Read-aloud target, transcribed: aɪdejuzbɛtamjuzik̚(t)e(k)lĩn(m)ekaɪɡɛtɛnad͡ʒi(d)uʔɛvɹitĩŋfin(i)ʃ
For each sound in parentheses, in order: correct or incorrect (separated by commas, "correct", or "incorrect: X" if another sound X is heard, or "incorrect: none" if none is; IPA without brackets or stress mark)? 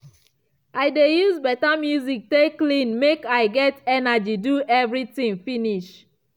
correct, correct, correct, correct, correct